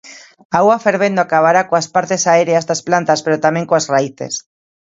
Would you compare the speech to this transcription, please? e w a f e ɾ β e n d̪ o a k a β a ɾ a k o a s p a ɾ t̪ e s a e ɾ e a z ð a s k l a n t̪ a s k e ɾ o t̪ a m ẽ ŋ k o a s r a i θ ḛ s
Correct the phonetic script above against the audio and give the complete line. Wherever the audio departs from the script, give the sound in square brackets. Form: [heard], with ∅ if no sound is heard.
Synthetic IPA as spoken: [a] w a f e ɾ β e n d̪ o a k a β a ɾ a k o a s p a ɾ t̪ e s a e ɾ e a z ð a s [p] l a n t̪ a s [p] e ɾ o t̪ a m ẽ ŋ k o a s r a i θ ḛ s